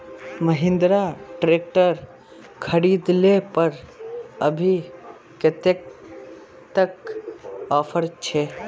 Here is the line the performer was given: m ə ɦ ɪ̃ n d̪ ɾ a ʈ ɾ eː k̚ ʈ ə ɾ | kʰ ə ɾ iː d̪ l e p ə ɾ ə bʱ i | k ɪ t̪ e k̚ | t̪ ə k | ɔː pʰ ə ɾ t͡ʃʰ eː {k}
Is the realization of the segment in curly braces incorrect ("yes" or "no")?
yes